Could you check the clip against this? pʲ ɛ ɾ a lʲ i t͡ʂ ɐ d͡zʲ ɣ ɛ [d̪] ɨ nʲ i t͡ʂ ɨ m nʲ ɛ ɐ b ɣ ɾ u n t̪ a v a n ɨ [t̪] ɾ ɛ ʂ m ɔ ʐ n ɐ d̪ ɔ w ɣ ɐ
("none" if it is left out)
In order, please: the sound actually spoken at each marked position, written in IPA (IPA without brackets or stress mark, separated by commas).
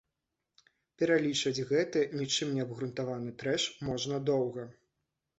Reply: t̪, t̪